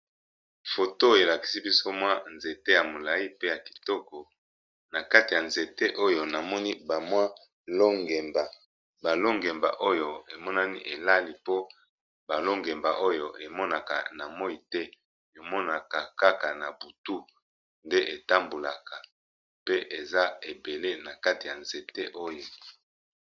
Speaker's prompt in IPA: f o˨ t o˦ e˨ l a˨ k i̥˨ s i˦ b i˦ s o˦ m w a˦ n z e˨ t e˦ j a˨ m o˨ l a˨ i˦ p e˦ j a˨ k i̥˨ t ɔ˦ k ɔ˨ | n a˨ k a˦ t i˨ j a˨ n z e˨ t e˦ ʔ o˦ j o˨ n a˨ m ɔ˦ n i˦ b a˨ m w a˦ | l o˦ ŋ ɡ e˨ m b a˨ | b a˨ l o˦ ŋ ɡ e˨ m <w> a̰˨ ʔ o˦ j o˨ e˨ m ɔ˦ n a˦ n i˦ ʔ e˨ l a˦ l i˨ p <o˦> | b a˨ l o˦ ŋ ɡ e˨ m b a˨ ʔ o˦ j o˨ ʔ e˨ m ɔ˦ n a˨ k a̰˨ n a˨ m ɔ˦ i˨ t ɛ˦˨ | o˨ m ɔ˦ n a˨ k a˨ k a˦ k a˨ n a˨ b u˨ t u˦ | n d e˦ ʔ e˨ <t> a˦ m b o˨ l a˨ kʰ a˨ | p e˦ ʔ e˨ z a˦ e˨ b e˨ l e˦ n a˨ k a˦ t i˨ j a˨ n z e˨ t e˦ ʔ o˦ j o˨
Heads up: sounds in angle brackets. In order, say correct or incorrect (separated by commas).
incorrect, correct, correct